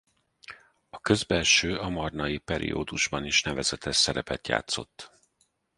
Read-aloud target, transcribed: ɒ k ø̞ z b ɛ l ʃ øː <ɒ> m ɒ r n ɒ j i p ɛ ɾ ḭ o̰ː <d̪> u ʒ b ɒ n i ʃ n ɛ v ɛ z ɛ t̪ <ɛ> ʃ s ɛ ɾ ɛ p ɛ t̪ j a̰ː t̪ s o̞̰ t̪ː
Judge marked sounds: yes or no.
yes, yes, yes

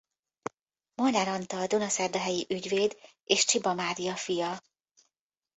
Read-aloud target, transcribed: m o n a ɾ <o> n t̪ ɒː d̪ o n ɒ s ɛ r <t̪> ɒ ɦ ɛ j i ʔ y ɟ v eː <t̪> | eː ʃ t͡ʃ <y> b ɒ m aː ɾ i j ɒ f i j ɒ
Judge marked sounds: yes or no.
no, no, no, no

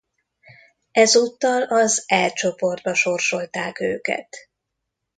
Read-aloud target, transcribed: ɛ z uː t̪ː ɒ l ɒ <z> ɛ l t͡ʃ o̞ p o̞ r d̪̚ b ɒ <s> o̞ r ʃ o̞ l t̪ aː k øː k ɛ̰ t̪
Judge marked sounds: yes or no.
yes, no

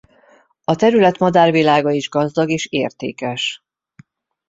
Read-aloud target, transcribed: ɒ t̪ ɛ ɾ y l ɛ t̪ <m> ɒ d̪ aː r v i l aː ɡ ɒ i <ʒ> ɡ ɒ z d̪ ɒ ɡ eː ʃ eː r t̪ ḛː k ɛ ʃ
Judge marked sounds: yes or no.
yes, yes

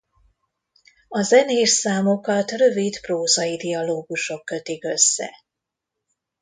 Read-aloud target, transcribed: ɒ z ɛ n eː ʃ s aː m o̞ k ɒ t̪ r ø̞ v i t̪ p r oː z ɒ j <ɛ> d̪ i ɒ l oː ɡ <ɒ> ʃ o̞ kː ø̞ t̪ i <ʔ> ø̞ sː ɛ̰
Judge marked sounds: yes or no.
no, no, no

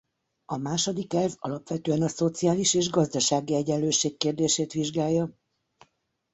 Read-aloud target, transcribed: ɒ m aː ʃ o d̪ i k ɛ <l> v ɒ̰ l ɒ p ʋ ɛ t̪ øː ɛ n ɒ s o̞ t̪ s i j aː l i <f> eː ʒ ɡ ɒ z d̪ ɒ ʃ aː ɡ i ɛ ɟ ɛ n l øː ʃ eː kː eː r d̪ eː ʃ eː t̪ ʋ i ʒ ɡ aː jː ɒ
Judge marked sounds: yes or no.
yes, no

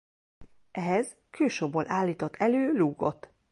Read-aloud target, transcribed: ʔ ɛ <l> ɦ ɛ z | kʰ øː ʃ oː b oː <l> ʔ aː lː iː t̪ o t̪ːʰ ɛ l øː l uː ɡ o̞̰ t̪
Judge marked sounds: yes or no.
no, yes

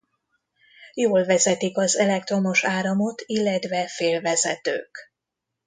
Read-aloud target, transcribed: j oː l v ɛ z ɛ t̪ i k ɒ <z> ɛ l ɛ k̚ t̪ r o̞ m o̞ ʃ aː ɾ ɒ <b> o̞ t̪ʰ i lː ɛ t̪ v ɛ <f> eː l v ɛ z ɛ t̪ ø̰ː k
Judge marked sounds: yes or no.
yes, no, yes

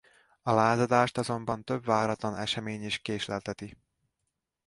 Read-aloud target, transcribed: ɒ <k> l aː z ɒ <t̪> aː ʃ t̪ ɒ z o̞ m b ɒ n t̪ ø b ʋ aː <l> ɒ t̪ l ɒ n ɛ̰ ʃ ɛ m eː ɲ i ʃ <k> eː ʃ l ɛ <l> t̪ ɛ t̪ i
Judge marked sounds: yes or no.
no, no, no, yes, yes

